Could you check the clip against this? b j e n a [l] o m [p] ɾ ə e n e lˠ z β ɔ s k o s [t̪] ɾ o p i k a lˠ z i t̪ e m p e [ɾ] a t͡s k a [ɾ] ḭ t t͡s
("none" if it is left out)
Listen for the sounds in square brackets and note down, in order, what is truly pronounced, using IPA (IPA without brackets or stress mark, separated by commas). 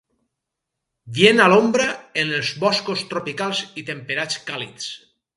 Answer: l, b, t̪, ɾ, l